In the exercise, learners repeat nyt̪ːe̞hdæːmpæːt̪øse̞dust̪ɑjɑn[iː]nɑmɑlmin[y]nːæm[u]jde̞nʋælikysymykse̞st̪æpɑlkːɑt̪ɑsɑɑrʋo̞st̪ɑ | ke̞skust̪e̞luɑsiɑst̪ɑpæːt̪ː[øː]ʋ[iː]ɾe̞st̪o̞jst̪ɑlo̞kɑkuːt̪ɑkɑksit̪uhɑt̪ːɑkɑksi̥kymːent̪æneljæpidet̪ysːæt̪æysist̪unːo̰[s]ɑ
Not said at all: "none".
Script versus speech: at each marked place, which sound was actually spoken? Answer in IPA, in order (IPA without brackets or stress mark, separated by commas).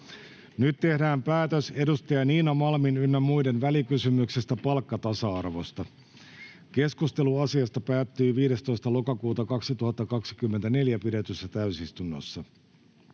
iː, y, u, yː, iː, sː